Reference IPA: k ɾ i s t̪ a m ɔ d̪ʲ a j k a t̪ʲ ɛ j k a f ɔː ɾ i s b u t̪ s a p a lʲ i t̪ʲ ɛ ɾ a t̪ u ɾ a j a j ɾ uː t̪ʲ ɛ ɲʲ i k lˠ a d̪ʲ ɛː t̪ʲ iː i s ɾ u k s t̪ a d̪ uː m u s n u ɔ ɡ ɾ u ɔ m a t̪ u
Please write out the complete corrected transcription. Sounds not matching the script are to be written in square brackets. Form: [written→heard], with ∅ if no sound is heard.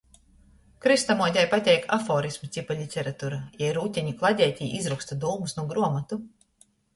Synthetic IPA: k ɾ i s t̪ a m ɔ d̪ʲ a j [k→p] a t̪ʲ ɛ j k a f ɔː ɾ i s [b→m] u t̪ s [a→i] p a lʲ i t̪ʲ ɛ ɾ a t̪ u ɾ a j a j ɾ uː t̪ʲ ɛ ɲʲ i k lˠ a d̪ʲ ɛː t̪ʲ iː i [s→z] ɾ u k s t̪ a d̪ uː m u s n u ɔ ɡ ɾ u ɔ m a t̪ u